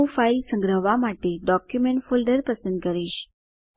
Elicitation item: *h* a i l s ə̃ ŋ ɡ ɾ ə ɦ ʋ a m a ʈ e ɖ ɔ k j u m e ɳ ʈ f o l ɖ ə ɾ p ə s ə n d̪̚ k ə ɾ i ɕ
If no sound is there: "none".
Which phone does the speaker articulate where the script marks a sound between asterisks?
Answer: f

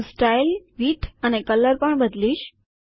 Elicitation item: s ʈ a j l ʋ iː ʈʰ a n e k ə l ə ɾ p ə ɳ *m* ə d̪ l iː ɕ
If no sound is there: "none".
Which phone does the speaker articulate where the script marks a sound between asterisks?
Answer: b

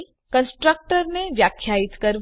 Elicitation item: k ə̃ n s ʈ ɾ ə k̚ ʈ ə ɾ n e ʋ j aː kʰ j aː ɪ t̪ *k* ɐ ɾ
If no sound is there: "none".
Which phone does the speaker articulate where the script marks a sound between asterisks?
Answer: k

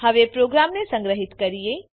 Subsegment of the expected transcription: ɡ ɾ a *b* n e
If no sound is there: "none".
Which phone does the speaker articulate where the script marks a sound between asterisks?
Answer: m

